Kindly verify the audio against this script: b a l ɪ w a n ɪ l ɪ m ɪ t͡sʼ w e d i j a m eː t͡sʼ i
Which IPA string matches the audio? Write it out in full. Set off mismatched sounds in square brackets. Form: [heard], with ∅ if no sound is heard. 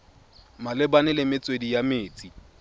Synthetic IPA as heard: [m] a l ɪ [b] a n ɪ l ɪ m ɪ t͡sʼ w e d i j a m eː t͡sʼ i